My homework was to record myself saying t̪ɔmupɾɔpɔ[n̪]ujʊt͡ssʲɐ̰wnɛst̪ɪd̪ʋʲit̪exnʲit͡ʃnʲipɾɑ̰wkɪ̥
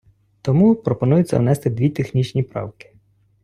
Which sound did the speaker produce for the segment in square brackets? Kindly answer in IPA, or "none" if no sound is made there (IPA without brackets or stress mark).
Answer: n̪